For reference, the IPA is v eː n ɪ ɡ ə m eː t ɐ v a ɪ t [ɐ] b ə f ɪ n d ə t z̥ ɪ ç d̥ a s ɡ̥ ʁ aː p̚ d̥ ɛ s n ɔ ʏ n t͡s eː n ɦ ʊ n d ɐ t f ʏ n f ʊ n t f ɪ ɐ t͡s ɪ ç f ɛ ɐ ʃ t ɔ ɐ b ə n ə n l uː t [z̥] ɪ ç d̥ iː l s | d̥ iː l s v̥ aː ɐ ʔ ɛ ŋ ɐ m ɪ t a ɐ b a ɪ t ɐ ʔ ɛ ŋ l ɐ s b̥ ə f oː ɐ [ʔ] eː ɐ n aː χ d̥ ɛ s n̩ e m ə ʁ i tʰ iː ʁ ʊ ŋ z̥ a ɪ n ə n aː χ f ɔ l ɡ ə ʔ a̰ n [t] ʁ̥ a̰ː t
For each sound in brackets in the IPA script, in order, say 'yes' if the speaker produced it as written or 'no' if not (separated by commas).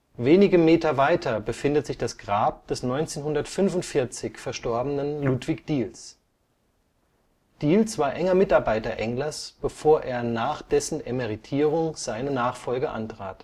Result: yes, no, yes, yes